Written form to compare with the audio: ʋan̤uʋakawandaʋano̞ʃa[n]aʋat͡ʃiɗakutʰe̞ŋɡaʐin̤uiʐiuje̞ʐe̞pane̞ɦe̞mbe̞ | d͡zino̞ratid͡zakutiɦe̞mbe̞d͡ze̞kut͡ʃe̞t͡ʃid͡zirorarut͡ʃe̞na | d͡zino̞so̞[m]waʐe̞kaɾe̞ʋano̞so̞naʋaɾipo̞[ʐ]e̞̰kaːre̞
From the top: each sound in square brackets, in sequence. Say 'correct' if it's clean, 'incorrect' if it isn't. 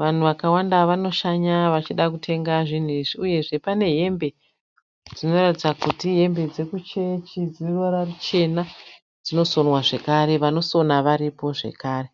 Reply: incorrect, incorrect, correct

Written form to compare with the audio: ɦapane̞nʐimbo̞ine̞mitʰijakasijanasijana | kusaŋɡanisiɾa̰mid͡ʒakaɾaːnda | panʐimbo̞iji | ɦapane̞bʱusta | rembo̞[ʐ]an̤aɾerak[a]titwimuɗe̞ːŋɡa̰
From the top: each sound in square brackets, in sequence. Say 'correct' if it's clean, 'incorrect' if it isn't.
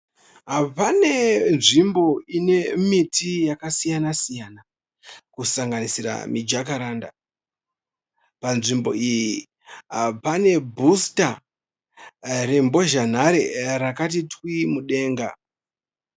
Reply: incorrect, correct

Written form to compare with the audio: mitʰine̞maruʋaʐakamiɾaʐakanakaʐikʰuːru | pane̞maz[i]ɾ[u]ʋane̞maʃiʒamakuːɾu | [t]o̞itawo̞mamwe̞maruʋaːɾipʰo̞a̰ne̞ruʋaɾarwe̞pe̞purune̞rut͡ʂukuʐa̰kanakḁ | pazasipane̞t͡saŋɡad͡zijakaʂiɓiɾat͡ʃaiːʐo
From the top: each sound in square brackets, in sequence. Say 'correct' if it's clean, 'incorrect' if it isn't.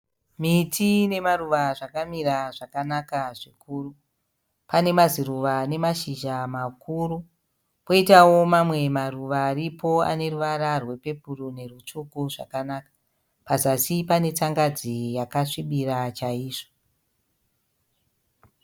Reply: correct, correct, incorrect

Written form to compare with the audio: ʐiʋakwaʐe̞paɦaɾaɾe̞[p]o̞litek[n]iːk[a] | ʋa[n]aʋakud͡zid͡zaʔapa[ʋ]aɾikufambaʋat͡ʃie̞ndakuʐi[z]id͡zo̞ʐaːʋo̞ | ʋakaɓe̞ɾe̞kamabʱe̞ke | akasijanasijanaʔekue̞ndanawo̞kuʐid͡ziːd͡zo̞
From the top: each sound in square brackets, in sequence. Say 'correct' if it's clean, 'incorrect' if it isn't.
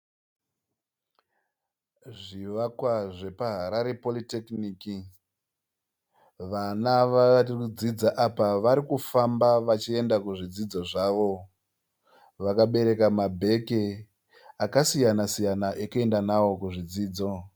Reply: correct, correct, incorrect, correct, correct, incorrect

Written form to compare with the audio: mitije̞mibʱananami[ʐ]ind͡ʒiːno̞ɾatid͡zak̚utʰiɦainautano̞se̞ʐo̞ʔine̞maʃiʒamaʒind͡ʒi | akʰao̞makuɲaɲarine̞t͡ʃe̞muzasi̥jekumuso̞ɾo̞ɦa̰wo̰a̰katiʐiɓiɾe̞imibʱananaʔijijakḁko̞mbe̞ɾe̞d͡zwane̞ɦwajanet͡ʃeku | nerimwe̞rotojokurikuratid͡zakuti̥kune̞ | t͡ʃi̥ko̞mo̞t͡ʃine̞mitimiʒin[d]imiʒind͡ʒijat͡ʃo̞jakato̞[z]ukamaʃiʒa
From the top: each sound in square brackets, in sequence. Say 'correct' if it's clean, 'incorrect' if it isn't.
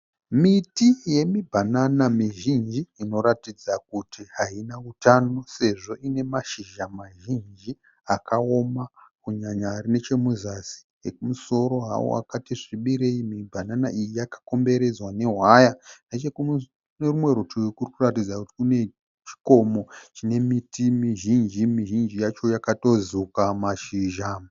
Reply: incorrect, incorrect, correct

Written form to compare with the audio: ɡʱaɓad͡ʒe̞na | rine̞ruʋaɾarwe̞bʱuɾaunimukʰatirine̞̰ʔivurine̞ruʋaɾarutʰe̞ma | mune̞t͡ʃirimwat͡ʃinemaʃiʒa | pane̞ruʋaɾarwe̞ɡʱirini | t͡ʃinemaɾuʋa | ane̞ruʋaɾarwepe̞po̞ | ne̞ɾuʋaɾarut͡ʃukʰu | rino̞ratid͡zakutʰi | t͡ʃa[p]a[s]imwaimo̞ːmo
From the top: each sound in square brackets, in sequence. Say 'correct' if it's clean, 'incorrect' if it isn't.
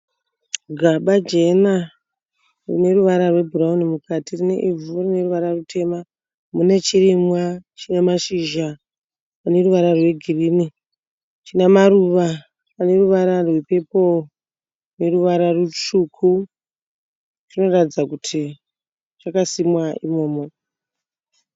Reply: incorrect, correct

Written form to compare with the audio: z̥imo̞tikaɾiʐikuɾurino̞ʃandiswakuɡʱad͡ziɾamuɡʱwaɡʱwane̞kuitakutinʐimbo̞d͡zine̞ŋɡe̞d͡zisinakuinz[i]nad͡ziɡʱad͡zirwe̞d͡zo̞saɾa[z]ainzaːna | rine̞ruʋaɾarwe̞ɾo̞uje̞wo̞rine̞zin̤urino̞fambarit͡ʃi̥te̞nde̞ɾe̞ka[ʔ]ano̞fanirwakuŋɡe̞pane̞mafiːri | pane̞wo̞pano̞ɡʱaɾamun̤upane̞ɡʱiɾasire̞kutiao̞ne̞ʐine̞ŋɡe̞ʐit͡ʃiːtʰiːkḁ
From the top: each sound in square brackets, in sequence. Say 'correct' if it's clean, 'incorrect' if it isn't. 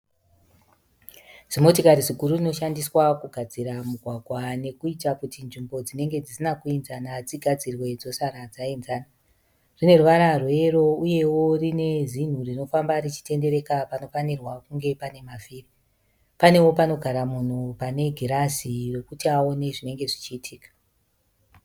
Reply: incorrect, incorrect, incorrect

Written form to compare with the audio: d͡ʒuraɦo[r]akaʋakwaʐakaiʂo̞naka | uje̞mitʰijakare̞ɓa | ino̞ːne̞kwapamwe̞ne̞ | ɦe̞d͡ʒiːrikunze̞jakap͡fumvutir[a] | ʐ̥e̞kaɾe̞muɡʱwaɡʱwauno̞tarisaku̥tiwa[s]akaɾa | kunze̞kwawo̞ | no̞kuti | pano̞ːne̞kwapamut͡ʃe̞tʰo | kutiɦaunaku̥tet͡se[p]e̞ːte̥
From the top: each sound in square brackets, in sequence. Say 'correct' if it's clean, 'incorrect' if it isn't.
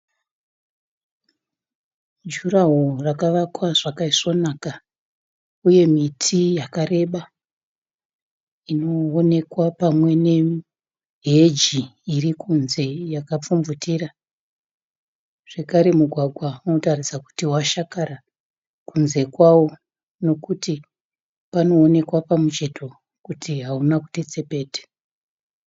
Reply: correct, correct, incorrect, correct

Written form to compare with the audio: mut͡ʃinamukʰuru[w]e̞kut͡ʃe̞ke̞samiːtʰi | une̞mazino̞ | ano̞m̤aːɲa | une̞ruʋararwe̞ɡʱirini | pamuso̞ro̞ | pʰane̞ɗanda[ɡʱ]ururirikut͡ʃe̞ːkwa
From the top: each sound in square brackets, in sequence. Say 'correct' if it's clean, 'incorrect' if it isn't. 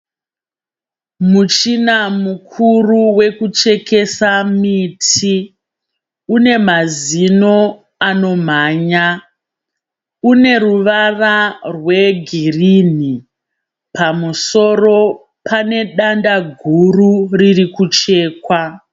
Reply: correct, correct

